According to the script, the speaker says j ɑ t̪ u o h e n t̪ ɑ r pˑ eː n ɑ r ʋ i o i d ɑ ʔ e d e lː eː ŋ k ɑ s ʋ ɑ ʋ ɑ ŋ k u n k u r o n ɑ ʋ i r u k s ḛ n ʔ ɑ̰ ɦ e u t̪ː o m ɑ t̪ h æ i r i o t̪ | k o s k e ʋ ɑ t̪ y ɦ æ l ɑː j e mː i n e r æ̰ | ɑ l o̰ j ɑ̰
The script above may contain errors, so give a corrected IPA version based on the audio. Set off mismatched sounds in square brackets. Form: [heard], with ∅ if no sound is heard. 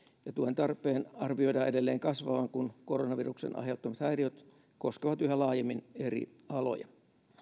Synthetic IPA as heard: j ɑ t̪ u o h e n t̪ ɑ r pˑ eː n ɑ r ʋ i o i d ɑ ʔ e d e lː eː ŋ k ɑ s ʋ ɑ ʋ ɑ ŋ k u n k [o] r o n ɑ ʋ i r u k s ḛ n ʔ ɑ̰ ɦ e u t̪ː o m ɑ t̪ h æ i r i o t̪ | k o s k e ʋ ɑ t̪ y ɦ æ l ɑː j e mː i n e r [ḭ] | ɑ l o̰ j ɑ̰

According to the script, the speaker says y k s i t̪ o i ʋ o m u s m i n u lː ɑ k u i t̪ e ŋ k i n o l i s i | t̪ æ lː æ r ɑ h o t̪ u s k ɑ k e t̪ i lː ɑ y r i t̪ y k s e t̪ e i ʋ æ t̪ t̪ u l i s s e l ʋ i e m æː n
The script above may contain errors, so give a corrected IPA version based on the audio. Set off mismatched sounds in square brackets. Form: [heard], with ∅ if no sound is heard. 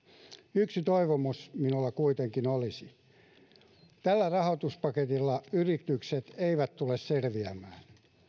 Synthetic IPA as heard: y k s i t̪ o i ʋ o m u s m i n u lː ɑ k u i t̪ e ŋ k i n o l i s i | t̪ æ lː æ r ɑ h o t̪ u s [p] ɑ k e t̪ i lː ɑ y r i t̪ y k s e t̪ e i ʋ æ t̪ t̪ u l [e] s s e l ʋ i [æ] m æː n

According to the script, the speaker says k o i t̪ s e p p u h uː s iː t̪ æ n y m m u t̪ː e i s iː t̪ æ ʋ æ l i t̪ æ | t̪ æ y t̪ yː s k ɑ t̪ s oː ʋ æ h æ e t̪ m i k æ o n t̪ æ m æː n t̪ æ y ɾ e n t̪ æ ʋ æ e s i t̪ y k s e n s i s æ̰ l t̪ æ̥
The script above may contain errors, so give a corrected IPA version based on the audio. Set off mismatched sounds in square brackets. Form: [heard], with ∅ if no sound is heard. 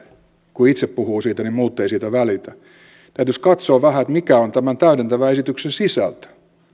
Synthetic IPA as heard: k [u] i t̪ s e p p u h uː s iː t̪ æ n [i] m m [uː] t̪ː e i s iː t̪ æ ʋ æ l i t̪ æ | t̪ æ y t̪ [y] s k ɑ t̪ s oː ʋ æ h æ e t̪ m i k æ o n t̪ æ m [æ] n t̪ æ y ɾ e n t̪ æ ʋ æ e s i t̪ y k s e n s i s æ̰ l t̪ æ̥

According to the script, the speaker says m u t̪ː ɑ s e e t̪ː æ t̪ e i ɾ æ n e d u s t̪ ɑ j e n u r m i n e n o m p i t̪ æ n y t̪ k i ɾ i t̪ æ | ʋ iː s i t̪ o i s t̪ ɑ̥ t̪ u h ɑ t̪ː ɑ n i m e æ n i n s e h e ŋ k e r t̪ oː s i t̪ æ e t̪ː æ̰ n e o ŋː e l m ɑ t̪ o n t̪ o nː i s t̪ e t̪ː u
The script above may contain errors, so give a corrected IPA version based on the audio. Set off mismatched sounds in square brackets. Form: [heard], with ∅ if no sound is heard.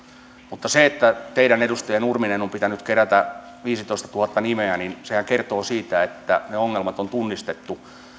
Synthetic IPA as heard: m u t̪ː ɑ s e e t̪ː æ t̪ e i ɾ æ n e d u s t̪ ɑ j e n u r m i n e n o m p i t̪ æ n y t̪ k [e] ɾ [æ] t̪ æ | ʋ iː s i t̪ o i s t̪ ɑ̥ t̪ u h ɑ t̪ː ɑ n i m e æ n i n s e h [æ] ŋ k e r t̪ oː s [iː] t̪ æ e t̪ː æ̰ n e o ŋː e l m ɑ t̪ o n t̪ [u] nː i s t̪ e t̪ː u

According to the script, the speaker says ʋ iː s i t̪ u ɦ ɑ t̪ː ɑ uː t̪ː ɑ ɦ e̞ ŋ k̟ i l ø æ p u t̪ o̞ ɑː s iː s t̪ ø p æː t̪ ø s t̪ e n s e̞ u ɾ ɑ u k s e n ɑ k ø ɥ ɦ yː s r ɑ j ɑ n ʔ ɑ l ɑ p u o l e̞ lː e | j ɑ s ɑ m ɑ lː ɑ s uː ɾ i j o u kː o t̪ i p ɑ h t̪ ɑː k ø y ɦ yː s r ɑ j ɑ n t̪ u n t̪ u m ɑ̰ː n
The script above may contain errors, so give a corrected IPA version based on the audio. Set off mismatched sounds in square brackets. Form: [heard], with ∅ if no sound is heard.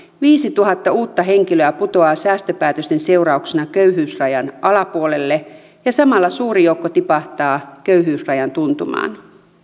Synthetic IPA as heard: ʋ iː s i t̪ u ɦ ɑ t̪ː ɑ uː t̪ː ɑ ɦ e̞ ŋ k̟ i l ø æ p u t̪ o̞ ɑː s [æː] s t̪ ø p æː t̪ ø s t̪ e n s e̞ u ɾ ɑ u k s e n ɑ k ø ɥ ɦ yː s r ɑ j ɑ n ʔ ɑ l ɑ p u o l e̞ lː e | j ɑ s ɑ m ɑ lː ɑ s uː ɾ i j o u kː o t̪ i p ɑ h t̪ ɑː k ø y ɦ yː s r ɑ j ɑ n t̪ u n t̪ u m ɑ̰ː n

